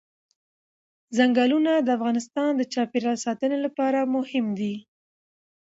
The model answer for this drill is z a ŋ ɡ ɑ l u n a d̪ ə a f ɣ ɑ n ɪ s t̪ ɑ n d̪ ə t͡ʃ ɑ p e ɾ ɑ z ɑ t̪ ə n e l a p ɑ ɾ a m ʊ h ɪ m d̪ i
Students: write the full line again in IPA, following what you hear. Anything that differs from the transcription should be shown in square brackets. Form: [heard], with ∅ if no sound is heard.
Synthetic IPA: z a ŋ ɡ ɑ l u n a d̪ ə a f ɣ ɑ n ɪ s t̪ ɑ n d̪ ə t͡ʃ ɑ p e ɾ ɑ [s] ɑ t̪ ə n e l a p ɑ ɾ a m ʊ h ɪ m d̪ i

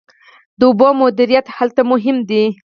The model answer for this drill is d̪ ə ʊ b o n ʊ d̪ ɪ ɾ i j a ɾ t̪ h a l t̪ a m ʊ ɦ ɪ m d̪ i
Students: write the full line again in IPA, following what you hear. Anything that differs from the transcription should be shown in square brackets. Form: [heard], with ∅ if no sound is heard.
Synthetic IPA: d̪ ə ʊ b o [m] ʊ d̪ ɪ ɾ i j a [∅] t̪ h a l t̪ a m ʊ ɦ ɪ m d̪ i

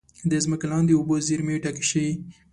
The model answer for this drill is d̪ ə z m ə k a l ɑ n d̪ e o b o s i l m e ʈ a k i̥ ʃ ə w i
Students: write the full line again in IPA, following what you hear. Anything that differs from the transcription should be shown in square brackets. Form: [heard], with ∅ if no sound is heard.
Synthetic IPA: d̪ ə z m ə k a l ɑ n d̪ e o b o [z] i [ɾ] m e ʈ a k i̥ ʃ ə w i

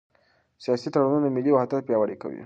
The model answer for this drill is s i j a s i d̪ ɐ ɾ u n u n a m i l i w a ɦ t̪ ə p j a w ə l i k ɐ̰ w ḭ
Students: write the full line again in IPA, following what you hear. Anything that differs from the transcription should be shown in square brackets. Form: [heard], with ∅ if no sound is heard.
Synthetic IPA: s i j a s i [t̪] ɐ [ɽ] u n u n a m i l i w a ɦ t̪ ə p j a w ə [ɽ] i k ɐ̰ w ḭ

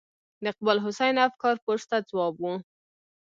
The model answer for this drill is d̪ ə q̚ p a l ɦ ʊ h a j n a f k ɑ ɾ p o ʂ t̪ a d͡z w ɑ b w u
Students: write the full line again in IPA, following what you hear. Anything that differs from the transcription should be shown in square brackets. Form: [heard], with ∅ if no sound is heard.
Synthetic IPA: d̪ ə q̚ [b] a l ɦ ʊ [s] a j n a f k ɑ ɾ p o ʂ t̪ a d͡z w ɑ b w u

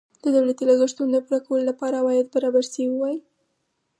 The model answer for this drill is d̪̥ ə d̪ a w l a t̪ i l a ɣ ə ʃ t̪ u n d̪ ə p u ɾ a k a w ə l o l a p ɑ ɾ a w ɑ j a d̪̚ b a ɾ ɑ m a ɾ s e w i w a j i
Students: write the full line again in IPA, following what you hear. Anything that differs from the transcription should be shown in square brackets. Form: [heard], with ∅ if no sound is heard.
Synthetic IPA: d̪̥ ə d̪ a w l a t̪ i l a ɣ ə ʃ t̪ u n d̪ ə p u ɾ a k a w ə l o l a p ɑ ɾ a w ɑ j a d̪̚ b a ɾ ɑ [b] a ɾ s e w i w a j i

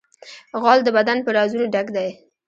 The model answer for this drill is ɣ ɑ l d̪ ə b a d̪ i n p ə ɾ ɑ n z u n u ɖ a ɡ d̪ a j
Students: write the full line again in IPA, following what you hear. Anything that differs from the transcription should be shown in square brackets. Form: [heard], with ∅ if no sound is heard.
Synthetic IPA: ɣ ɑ l d̪ ə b a d̪ [a] n p ə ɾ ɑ [∅] z u n [o] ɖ a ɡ d̪ a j

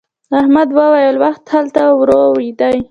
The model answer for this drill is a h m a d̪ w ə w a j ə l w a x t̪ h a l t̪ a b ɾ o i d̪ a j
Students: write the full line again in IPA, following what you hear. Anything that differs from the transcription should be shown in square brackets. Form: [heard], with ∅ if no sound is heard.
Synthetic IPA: a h m a d̪ w ə w a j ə l w a x t̪ h a l t̪ a [w] ɾ o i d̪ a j

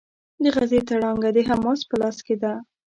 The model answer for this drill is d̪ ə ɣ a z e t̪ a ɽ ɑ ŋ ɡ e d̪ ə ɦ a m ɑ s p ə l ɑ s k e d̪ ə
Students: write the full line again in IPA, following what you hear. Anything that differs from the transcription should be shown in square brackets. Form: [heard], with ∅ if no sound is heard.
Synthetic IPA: d̪ ə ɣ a z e t̪ a ɽ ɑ ŋ ɡ [a] d̪ ə ɦ a m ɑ s p ə l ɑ s k e d̪ [a]

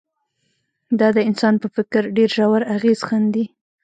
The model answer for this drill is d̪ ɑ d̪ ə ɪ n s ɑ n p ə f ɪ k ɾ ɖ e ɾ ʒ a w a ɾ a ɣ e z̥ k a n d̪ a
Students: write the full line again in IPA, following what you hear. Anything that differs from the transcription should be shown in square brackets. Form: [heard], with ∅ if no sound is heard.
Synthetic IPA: d̪ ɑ d̪ ə ɪ n s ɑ n p ə f ɪ k ɾ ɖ e ɾ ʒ a w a ɾ a ɣ e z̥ [x] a n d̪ [i]

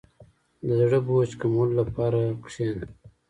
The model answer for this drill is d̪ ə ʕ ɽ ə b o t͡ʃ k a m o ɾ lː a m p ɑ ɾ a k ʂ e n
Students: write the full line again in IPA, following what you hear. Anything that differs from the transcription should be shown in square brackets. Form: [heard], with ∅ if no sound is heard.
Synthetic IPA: d̪ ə [z] ɽ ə b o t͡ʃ k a m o [l] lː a [∅] p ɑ ɾ a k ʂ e n

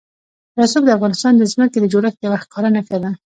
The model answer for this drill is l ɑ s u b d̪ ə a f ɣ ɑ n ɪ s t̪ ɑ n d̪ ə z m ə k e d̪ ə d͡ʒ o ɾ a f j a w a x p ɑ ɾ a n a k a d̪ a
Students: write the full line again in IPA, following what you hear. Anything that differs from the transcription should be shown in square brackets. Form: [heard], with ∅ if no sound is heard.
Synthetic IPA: [ɾ] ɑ s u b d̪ ə a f ɣ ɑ n ɪ s t̪ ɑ n d̪ ə z m ə k e d̪ ə d͡ʒ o ɾ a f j a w a x [k] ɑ ɾ a n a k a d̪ a

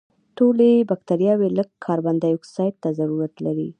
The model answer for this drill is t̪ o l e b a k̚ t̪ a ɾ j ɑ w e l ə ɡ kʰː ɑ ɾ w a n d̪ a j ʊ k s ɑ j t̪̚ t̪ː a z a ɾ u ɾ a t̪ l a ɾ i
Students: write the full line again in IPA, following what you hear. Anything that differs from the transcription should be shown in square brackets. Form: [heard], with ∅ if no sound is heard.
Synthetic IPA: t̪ o l e b a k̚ t̪ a ɾ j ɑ w e l ə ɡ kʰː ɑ ɾ [b] a n d̪ a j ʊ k s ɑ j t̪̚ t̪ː a z a ɾ u ɾ a t̪ l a ɾ i

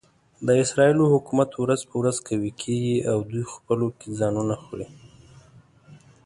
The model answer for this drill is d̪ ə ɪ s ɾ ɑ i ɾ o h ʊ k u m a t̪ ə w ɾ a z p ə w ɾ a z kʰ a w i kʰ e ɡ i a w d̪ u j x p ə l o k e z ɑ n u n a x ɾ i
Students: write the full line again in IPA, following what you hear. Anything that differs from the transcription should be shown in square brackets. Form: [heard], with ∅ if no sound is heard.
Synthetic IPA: d̪ ə ɪ s ɾ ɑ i [l] o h ʊ k u m a t̪ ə w ɾ a z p ə w ɾ a z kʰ a w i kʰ e ɡ i a w d̪ u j x p ə l o k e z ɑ n u n a x [ɽ] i

